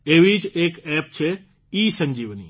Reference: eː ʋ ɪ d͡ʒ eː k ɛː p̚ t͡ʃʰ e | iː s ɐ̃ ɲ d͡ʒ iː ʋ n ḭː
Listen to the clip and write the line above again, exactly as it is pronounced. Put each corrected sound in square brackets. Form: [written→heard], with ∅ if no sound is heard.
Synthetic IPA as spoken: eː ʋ [ɪ→i] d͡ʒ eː k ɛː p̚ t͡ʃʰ e | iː s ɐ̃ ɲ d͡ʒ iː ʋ n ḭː

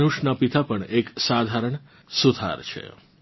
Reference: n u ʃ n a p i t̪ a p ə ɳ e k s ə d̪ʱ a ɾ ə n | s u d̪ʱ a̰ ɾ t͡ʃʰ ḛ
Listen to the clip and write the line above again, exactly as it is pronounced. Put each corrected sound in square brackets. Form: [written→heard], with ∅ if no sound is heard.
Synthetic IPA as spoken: n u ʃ n a p i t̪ a p ə ɳ e k s [ə→a] d̪ʱ a ɾ ə [n→ɳ] | s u d̪ʱ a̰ ɾ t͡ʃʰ ḛ

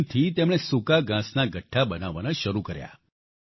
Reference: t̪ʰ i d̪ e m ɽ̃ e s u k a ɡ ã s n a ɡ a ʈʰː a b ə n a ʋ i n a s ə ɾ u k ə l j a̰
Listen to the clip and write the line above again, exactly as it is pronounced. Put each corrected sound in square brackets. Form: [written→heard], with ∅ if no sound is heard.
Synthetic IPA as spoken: t̪ʰ i [d̪→t̪] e m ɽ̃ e s u k a ɡ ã s n a ɡ [a→ə] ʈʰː a b ə n a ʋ [i→a] n a [s→ʃ] ə ɾ u k ə [l→ɾ] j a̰

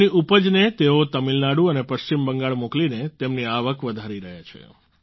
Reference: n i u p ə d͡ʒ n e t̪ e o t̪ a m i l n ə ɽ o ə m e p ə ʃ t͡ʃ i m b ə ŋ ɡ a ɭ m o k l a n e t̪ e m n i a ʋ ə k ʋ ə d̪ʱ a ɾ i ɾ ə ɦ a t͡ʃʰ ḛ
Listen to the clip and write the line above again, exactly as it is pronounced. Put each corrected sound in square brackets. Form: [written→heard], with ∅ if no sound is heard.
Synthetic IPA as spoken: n i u p ə d͡ʒ n e t̪ e o t̪ [a→ə] m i l n [ə→a] ɽ [o→u] ə [m→n] e p ə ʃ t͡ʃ i m b ə ŋ ɡ a ɭ m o k l [a→i] n e t̪ e m n i a ʋ ə k ʋ ə d̪ʱ a ɾ i ɾ ə ɦ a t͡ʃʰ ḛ

